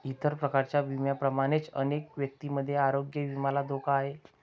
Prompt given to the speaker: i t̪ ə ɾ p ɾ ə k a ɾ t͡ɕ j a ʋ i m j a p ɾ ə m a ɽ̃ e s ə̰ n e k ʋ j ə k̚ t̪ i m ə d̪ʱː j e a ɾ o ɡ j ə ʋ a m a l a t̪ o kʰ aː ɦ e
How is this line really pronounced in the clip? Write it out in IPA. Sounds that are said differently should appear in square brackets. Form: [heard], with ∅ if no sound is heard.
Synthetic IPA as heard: i t̪ ə ɾ p ɾ ə k a ɾ t͡ɕ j a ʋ i m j a p ɾ ə m a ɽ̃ e [t͡s] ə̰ n e k ʋ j ə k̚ t̪ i m ə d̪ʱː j e a ɾ o ɡ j ə ʋ [i] m a l a [d̪] o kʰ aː ɦ e